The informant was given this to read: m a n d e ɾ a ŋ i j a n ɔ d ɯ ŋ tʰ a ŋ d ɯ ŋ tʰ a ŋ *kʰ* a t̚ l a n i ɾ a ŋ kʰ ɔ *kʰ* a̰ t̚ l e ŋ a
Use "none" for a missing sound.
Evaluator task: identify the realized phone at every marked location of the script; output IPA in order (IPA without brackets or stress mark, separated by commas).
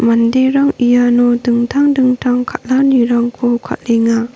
kʰ, kʰ